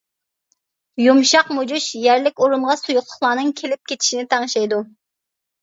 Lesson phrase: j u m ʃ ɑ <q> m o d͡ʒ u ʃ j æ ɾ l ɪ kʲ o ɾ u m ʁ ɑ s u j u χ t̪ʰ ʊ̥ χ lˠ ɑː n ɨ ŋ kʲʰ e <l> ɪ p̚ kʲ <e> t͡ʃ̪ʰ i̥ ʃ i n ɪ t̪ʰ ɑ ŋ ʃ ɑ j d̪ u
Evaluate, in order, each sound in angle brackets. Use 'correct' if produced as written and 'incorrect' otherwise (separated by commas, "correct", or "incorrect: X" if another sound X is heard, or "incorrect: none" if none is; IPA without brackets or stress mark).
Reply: correct, correct, correct